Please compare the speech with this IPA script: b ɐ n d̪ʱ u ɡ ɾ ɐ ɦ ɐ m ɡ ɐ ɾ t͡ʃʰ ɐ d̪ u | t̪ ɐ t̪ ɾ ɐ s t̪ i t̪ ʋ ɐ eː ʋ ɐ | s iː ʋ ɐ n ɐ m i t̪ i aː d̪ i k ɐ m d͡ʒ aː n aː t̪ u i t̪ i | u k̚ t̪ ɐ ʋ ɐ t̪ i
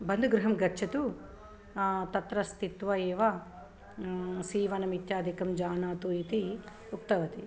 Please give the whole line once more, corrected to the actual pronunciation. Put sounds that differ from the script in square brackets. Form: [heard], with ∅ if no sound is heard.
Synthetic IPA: b ɐ n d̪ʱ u ɡ ɾ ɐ ɦ ɐ m ɡ ɐ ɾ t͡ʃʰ ɐ [t̪] u | t̪ ɐ t̪ ɾ ɐ s t̪ i t̪ ʋ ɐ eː ʋ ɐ | s iː ʋ ɐ n ɐ m i t̪ [j] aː d̪ i k ɐ m d͡ʒ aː n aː t̪ u i t̪ i | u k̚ t̪ ɐ ʋ ɐ t̪ i

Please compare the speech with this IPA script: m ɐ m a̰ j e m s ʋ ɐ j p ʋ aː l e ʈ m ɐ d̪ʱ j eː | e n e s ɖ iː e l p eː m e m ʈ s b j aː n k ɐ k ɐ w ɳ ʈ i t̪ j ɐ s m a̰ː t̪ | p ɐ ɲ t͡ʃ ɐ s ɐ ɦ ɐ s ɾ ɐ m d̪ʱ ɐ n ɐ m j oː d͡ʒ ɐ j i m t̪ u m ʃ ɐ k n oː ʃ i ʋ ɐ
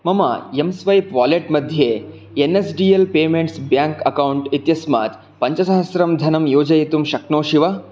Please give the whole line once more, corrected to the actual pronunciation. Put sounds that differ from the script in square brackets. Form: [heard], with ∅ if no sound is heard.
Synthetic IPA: m ɐ m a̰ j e m s ʋ ɐ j p ʋ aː l e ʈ m ɐ d̪ʱ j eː | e n e s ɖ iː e l p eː m e [ɳ] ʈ s b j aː [ŋ] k ɐ k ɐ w ɳ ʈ i t̪ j ɐ s m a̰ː t̪ | p ɐ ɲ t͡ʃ ɐ s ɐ ɦ ɐ s ɾ ɐ m d̪ʱ ɐ n ɐ m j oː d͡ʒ ɐ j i [∅] t̪ u m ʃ ɐ k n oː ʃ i ʋ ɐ

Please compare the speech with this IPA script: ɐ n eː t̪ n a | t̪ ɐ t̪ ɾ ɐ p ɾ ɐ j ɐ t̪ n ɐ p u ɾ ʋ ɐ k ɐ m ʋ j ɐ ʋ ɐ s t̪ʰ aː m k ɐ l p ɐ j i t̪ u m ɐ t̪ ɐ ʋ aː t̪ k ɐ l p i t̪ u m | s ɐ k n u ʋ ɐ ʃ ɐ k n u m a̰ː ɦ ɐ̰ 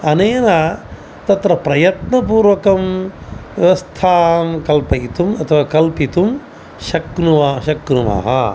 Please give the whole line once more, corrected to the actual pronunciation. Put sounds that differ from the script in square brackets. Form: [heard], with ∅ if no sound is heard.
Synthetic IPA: ɐ n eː [∅] n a | t̪ ɐ t̪ ɾ ɐ p ɾ ɐ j ɐ t̪ n ɐ p [uː] ɾ ʋ ɐ k ɐ m ʋ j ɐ ʋ ɐ s t̪ʰ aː m k ɐ l p ɐ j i t̪ u m ɐ [t̪ʰ] ɐ ʋ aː [∅] k ɐ l p i t̪ u m | [ʃ] ɐ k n u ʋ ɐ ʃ ɐ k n u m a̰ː ɦ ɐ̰

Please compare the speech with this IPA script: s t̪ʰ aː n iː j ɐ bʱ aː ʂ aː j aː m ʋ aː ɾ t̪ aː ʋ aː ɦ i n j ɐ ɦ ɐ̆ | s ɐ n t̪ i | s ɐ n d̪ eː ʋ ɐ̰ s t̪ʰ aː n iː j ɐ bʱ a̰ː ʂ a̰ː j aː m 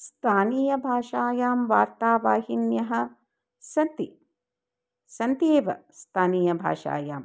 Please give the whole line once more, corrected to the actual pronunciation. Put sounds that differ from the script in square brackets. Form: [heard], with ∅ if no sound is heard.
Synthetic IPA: s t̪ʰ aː n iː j ɐ bʱ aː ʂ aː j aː m ʋ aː ɾ t̪ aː ʋ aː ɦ i n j ɐ ɦ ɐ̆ | s ɐ n t̪ i | s ɐ n [t̪] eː ʋ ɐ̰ s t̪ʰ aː n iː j ɐ bʱ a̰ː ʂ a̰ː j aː m

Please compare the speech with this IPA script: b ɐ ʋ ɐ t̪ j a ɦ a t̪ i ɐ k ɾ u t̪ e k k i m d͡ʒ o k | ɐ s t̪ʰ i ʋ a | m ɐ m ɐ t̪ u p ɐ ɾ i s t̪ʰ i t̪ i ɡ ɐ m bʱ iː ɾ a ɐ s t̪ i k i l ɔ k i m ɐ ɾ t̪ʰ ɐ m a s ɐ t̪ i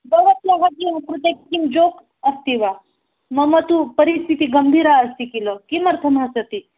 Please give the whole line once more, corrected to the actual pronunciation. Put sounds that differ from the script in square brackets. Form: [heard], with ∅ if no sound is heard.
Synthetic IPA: b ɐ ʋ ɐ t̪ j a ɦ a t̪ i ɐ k ɾ u t̪ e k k i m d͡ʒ o k | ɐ s [t̪] i ʋ a | m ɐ m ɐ t̪ u p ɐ ɾ i s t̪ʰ i t̪ i ɡ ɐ m bʱ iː ɾ a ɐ s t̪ i k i l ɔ k i m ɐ ɾ t̪ʰ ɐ m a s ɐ t̪ i

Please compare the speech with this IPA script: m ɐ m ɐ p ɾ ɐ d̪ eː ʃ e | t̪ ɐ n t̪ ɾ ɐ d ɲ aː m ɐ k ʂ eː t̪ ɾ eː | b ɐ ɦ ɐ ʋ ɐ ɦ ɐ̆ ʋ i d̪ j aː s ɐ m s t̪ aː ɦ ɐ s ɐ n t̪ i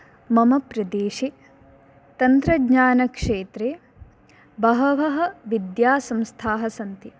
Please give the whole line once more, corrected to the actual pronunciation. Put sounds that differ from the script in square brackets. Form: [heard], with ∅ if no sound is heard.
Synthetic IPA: m ɐ m ɐ p ɾ ɐ d̪ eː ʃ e | t̪ ɐ n t̪ ɾ ɐ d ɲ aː [n] ɐ k ʂ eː t̪ ɾ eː | b ɐ ɦ ɐ ʋ ɐ ɦ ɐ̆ ʋ i d̪ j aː s ɐ m s [t̪ʰ] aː ɦ ɐ s ɐ n t̪ i

